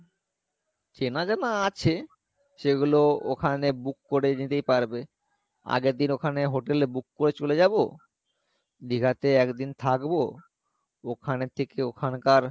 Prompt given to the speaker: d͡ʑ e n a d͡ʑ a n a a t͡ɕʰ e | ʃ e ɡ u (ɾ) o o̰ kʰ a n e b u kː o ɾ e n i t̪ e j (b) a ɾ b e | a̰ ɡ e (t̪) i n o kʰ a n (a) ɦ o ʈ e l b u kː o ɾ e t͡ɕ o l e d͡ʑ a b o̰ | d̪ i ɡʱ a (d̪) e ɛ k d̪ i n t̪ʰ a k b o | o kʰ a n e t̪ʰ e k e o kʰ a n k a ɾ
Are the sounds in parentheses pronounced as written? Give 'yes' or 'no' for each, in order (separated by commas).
no, no, no, no, no